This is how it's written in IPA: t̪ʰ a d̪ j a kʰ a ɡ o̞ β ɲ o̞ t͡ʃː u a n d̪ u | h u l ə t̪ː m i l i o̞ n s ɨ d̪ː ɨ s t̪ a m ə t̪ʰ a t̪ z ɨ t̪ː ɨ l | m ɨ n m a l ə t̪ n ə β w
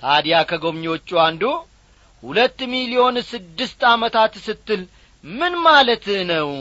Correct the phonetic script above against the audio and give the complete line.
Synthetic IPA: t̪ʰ a d̪ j a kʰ ə ɡ o̞ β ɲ o̞ t͡ʃː u a n d̪ u | h u l ə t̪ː m i l i o̞ n s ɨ d̪ː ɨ s t̪ a m ə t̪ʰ a t̪ s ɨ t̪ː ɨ l | m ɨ n m a l ə t̪ n ə w